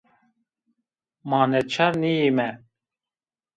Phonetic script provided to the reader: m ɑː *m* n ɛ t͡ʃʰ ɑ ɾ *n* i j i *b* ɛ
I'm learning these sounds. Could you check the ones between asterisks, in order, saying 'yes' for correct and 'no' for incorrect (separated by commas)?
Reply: no, yes, no